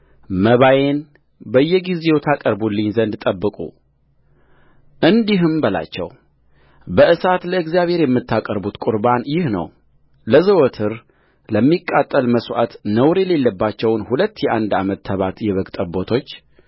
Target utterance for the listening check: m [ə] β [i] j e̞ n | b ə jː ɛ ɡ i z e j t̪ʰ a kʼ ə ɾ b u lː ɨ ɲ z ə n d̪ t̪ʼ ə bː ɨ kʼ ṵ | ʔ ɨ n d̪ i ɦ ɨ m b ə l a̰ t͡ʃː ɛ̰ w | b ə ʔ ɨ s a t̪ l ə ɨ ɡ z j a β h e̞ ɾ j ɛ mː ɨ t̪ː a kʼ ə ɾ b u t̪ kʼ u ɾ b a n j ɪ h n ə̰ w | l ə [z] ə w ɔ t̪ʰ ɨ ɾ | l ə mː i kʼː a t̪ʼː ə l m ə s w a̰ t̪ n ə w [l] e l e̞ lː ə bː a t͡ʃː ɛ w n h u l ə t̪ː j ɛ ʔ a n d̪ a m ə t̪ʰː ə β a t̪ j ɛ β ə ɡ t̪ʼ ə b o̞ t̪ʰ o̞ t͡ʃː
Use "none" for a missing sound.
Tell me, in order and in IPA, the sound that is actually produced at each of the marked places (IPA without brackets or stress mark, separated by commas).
ə, a, z, ɾ